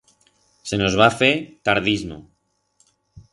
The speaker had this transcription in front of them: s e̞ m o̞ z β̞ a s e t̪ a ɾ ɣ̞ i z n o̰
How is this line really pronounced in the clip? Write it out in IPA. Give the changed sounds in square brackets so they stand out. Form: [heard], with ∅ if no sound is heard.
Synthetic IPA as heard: s e̞ [n] o̞ z β̞ a [f] e t̪ a ɾ [ð̞] i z [m] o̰